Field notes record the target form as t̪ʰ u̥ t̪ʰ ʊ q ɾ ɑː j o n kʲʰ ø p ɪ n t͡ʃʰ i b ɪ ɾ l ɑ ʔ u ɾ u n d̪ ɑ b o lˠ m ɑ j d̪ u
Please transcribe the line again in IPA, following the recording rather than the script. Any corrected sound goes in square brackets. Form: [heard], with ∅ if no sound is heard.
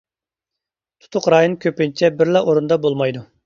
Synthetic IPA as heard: t̪ʰ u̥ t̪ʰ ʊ q ɾ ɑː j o n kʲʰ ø p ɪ n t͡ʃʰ [ɛ] b ɪ ɾ l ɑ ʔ [o] ɾ u n d̪ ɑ b o lˠ m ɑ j d̪ u